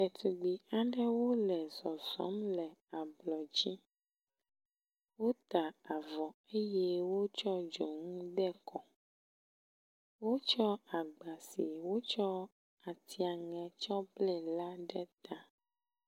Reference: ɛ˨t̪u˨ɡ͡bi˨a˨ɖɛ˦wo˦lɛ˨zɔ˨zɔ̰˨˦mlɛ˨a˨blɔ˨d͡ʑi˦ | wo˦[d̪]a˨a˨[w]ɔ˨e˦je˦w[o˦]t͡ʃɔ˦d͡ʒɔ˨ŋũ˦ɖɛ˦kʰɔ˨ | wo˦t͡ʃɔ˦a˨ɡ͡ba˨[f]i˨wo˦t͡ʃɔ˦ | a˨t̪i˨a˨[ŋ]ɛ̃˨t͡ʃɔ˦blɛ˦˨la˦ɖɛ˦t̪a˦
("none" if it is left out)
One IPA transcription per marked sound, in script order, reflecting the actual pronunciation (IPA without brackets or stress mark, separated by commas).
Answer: t̪, v, o˦, s, ŋ